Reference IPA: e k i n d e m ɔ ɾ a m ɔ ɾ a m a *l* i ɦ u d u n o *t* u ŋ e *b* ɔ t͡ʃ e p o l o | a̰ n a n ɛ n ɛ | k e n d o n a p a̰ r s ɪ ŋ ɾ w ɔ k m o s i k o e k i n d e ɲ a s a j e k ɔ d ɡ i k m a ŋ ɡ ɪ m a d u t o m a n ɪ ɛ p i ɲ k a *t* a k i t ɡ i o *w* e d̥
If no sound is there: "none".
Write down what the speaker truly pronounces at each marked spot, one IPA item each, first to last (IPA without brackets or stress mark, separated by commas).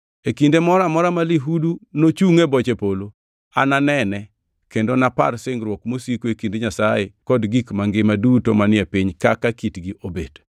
l, t͡ʃ, b, k, b